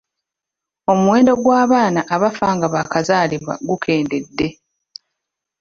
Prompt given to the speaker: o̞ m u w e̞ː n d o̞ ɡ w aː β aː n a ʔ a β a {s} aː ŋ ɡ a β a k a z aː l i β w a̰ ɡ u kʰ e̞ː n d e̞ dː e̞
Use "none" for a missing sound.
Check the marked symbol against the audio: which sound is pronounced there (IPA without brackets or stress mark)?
f